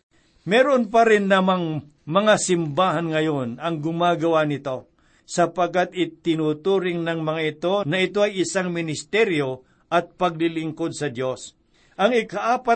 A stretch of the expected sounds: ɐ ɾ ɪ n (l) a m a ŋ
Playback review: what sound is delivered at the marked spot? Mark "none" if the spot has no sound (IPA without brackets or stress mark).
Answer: l